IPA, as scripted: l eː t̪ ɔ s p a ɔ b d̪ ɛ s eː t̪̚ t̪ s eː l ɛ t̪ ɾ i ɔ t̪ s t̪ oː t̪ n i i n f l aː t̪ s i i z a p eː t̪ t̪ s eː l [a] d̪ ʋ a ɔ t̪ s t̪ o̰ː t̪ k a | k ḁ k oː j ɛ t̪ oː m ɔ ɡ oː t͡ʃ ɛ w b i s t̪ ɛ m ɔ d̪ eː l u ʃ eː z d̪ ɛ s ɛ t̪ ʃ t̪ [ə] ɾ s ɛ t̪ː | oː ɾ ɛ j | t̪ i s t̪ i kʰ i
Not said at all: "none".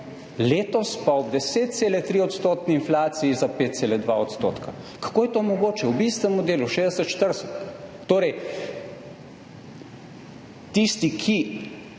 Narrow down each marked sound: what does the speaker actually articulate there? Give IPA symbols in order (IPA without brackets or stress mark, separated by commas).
ɛ, ə